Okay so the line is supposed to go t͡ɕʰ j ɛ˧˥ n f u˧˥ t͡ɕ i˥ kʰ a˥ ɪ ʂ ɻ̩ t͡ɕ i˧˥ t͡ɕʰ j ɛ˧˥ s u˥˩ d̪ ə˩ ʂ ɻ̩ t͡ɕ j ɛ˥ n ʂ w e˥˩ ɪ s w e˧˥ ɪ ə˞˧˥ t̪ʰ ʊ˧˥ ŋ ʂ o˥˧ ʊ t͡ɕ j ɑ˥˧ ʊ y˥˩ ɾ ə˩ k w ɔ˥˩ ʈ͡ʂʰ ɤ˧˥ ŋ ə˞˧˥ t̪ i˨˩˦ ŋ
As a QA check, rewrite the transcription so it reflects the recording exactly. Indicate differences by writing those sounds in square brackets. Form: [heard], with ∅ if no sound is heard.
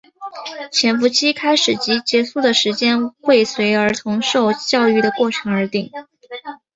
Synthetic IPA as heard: t͡ɕʰ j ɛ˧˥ n f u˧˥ [t͡ɕʰ] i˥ kʰ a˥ ɪ ʂ ɻ̩ t͡ɕ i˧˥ [t͡ɕ] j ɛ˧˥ s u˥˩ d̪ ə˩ ʂ ɻ̩ t͡ɕ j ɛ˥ n [x] w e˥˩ ɪ s w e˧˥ ɪ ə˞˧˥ t̪ʰ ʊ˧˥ ŋ ʂ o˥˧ ʊ t͡ɕ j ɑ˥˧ ʊ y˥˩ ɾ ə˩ k w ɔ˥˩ ʈ͡ʂʰ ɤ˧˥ ŋ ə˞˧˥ t̪ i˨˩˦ ŋ